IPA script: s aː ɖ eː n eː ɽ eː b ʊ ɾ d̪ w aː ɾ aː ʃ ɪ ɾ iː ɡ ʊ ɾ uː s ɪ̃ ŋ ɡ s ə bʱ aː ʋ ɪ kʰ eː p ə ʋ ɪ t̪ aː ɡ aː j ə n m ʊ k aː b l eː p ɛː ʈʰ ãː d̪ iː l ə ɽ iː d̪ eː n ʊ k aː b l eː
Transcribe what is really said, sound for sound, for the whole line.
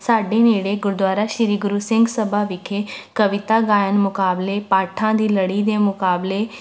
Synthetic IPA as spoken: s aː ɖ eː n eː ɽ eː ɡ ʊ ɾ d̪ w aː ɾ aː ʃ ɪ ɾ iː ɡ ʊ ɾ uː s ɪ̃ ŋ ɡ s ə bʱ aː ʋ ɪ kʰ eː k ə ʋ ɪ t̪ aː ɡ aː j ə n m ʊ k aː b l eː p aː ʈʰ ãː d̪ iː l ə ɽ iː d̪ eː m ʊ k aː b l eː

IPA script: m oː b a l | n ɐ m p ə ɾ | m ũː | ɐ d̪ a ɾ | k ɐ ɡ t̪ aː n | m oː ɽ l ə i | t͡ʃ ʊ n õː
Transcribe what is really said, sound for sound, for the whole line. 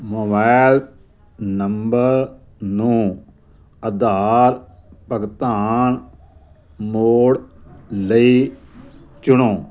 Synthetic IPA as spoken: m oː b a l | n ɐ m b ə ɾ | n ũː | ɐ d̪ a ɾ | p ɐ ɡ t̪ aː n | m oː ɽ l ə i | t͡ʃ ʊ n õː

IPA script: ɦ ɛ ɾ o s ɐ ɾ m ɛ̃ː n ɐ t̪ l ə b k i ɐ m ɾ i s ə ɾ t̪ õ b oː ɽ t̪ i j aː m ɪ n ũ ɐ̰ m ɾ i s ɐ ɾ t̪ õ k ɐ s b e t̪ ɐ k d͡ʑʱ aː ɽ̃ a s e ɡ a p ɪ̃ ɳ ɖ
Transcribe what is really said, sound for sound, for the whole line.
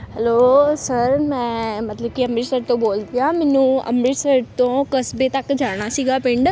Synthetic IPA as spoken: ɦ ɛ l o s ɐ ɾ m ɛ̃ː m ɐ t̪ l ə b k i ɐ m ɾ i s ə ɾ t̪ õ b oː l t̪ i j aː m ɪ n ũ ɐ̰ m ɾ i s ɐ ɾ t̪ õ k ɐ s b e t̪ ɐ k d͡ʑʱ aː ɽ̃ a s i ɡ a p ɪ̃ ɳ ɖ

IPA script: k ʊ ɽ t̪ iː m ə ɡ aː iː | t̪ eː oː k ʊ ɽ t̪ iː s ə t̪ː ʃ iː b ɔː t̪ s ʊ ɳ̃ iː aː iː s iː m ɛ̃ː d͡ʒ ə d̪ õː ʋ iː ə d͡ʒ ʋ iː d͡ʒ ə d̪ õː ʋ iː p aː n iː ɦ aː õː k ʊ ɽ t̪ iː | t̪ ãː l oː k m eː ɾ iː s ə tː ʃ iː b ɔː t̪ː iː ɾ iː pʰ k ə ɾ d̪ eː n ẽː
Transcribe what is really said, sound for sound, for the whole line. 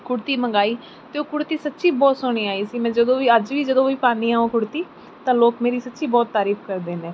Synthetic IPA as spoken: k ʊ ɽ t̪ iː m ə ɡ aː iː | t̪ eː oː k ʊ ɽ t̪ iː s ə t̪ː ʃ iː b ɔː t̪ s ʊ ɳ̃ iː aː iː s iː m ɛ̃ː d͡ʒ ə d̪ õː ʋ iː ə d͡ʒ ʋ iː d͡ʒ ə d̪ õː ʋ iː p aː n iː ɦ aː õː k ʊ ɽ t̪ iː | t̪ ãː l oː k m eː ɾ iː s ə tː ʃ iː b ɔː t̪ː aː ɾ iː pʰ k ə ɾ d̪ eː n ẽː

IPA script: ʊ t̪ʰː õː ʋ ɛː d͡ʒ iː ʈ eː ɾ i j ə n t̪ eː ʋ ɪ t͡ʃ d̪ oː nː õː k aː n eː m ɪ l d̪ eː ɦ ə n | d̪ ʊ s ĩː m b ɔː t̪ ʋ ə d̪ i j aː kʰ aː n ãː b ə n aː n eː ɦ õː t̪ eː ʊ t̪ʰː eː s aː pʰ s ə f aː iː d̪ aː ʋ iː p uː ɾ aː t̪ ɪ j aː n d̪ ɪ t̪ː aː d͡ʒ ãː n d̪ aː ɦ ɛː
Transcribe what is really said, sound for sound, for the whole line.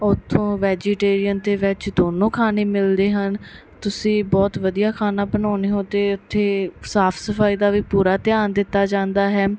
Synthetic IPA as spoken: ʊ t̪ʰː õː ʋ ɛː d͡ʒ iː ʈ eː ɾ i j ə n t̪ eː ʋ ɪ t͡ʃ d̪ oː n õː kʰ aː n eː m ɪ l d̪ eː ɦ ə n | t̪ ʊ s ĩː b ɔː t̪ ʋ ə d̪ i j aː kʰ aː n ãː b ə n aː n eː ɦ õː t̪ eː ʊ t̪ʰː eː s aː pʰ s ə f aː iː d̪ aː ʋ iː p uː ɾ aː t̪ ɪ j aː n d̪ ɪ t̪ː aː d͡ʒ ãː n d̪ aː ɦ ɛː

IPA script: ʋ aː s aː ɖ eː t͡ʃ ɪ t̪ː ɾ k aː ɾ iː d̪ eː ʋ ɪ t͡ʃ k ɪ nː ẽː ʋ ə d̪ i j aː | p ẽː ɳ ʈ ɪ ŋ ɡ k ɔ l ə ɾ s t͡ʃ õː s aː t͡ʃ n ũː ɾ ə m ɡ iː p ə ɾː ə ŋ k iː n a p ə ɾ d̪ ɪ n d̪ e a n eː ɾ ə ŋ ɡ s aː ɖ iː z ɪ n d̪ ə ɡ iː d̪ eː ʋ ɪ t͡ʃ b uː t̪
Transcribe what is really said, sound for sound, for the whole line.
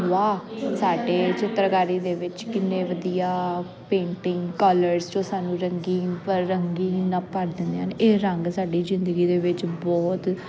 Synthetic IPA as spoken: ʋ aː s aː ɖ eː t͡ʃ ɪ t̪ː ɾ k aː ɾ iː d̪ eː ʋ ɪ t͡ʃ k ɪ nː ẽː ʋ ə d̪ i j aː | p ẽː ɳ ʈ ɪ ŋ ɡ k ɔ l ə ɾ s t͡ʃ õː s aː n ũː ɾ ə ŋ ɡ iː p ə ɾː ə ŋ ɡ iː n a p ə ɾ d̪ ɪ n d̪ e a n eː ɾ ə ŋ ɡ s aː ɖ iː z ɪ n d̪ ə ɡ iː d̪ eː ʋ ɪ t͡ʃ b ɔː t̪

